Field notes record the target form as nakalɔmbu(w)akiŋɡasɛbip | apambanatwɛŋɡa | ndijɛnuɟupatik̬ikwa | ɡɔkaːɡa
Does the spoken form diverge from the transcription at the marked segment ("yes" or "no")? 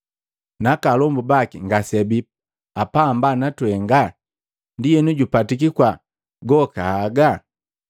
yes